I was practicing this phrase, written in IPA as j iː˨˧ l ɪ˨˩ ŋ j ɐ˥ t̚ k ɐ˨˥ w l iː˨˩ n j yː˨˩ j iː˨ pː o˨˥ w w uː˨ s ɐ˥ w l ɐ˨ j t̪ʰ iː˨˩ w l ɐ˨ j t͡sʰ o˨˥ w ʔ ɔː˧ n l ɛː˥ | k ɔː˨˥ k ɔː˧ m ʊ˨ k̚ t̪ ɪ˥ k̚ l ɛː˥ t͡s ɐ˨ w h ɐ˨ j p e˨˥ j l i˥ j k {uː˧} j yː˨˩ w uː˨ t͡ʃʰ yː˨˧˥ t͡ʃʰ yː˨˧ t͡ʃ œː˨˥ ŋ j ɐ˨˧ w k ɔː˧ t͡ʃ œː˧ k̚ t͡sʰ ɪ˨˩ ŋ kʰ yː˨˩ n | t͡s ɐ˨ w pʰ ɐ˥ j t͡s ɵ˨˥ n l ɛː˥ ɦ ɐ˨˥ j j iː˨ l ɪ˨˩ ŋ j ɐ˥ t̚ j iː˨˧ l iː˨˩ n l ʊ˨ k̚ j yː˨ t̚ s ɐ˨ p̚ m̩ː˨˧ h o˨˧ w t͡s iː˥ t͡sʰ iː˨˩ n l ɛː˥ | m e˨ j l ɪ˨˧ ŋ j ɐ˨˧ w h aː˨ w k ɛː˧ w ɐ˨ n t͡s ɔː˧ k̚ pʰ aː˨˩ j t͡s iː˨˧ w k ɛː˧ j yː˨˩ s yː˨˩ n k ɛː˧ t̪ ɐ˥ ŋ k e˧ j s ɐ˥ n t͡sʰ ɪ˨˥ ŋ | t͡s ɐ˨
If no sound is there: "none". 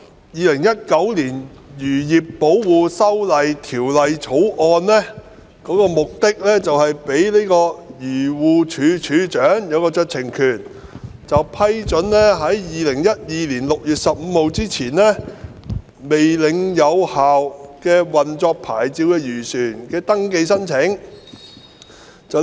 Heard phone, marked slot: ɔː˧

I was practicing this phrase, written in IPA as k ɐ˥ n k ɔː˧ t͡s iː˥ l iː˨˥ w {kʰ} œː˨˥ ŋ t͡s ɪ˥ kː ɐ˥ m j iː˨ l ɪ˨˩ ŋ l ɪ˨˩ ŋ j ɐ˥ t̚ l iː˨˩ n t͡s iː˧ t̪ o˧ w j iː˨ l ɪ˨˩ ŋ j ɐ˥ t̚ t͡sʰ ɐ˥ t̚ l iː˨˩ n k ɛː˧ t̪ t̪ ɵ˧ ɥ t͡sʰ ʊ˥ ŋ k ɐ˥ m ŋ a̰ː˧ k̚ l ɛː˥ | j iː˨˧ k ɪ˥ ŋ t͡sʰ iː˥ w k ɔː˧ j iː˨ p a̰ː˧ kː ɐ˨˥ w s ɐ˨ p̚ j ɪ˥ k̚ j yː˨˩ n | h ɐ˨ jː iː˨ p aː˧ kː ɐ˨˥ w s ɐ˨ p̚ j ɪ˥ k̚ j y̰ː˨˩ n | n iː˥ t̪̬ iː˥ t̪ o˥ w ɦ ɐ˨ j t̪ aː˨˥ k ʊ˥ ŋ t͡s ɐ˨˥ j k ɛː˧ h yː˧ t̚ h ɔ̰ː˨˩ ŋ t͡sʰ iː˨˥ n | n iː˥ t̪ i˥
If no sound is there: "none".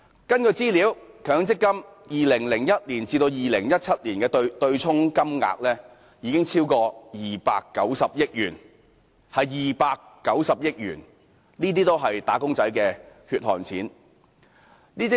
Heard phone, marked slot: kʰ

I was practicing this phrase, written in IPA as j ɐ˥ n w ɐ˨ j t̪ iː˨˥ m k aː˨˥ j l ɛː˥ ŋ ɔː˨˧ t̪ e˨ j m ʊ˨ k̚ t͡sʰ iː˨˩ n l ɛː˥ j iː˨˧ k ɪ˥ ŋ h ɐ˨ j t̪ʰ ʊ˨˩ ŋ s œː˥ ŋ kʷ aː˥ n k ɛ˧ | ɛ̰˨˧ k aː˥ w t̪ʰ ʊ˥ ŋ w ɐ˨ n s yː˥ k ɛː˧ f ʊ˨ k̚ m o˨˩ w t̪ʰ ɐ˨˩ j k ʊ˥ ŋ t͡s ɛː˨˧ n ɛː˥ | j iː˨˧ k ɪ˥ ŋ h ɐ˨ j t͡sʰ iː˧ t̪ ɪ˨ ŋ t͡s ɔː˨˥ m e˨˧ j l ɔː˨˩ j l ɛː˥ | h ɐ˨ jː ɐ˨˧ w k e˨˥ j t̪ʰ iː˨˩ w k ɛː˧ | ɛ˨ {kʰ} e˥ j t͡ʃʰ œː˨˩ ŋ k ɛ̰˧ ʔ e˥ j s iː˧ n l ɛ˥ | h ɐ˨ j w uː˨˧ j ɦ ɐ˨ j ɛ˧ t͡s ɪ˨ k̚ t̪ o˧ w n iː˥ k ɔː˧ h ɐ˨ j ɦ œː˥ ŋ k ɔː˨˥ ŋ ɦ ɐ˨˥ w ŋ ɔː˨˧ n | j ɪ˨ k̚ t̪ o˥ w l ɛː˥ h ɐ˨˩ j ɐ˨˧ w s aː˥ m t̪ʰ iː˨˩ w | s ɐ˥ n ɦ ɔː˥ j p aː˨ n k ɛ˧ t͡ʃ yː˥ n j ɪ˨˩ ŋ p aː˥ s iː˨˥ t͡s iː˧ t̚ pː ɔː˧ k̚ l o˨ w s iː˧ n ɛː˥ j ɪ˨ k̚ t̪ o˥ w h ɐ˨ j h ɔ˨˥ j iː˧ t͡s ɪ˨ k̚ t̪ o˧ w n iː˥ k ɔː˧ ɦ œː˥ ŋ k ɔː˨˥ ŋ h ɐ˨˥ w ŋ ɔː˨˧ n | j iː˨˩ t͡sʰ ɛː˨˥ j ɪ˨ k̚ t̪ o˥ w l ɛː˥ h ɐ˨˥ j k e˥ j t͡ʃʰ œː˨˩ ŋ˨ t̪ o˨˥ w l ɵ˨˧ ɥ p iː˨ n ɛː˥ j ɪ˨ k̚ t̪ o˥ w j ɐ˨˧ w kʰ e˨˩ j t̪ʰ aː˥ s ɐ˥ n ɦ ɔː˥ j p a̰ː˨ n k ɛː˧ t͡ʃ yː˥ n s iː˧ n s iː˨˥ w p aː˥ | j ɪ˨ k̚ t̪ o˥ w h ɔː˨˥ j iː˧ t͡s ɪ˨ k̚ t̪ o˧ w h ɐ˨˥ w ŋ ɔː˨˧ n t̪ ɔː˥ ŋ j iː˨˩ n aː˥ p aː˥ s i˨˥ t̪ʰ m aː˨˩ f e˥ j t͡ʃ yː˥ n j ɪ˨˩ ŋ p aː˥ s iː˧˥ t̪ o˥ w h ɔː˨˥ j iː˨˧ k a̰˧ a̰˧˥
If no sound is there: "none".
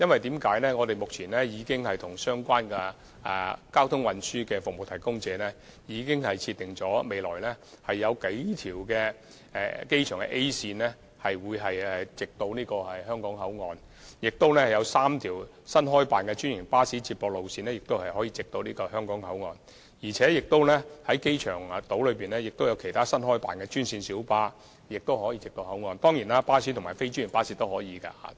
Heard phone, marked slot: k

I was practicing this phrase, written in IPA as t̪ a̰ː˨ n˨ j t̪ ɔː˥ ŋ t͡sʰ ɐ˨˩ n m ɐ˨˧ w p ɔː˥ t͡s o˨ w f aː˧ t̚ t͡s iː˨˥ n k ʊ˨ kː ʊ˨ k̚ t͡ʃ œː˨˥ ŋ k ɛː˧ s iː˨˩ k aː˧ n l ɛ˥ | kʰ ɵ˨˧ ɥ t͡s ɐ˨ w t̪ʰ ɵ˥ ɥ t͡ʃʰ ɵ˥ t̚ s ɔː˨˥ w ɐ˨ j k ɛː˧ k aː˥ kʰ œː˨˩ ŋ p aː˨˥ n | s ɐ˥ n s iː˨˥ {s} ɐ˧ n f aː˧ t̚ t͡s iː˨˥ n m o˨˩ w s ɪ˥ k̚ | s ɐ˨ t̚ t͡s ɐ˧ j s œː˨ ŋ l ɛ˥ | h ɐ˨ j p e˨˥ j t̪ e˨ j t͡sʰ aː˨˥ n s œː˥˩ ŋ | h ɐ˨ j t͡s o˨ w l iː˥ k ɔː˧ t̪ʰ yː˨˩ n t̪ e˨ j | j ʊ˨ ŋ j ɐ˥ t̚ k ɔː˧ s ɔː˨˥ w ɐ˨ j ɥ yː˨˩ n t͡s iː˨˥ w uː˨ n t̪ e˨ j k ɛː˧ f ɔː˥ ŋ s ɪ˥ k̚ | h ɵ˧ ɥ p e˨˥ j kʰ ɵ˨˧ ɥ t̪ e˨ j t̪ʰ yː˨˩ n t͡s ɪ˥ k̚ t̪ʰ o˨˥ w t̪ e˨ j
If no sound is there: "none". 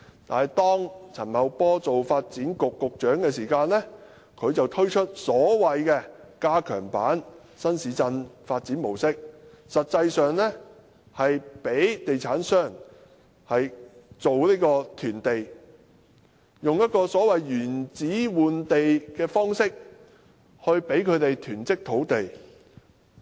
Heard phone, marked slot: t͡s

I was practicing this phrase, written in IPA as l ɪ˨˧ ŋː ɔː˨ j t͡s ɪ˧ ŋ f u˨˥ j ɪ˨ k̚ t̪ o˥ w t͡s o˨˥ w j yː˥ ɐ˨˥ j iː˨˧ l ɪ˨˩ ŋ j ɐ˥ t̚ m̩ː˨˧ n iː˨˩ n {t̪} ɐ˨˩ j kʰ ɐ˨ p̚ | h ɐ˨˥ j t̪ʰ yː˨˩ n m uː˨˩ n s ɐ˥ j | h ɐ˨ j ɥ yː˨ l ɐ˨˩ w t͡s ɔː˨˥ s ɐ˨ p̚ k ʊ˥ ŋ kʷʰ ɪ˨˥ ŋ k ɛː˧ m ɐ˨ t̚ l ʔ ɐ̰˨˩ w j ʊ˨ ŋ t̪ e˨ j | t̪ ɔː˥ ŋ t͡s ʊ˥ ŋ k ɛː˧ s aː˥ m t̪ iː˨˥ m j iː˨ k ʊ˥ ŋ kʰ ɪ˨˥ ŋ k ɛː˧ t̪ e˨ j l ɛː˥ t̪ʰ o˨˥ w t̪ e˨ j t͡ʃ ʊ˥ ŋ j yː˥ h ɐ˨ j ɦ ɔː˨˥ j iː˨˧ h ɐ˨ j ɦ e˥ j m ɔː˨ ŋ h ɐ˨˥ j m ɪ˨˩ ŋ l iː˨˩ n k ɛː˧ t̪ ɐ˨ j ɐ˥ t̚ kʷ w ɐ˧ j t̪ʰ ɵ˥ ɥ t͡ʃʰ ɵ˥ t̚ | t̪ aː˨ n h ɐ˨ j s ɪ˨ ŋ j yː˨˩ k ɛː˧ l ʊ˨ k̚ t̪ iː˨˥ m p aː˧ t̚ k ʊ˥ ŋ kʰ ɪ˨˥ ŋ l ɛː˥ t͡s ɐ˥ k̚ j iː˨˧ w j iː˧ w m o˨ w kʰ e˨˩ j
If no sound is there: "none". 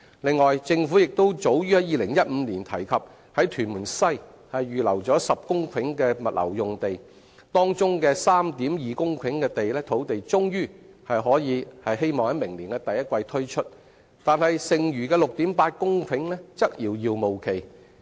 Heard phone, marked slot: t̪ʰ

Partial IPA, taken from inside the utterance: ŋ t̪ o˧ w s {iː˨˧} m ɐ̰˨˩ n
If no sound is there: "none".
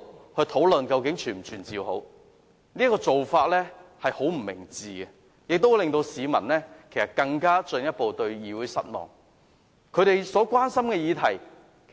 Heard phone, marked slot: iː˨˧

